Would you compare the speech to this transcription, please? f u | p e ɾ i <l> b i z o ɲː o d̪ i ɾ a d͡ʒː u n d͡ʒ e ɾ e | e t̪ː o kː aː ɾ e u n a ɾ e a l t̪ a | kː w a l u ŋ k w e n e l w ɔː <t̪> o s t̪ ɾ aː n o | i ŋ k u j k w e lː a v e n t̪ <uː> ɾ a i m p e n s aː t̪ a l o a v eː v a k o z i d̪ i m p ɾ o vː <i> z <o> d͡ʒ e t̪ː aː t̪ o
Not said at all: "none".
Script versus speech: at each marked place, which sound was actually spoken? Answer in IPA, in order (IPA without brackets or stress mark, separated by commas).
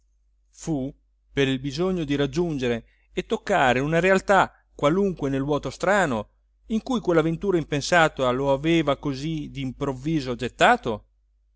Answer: l, t̪, uː, iː, o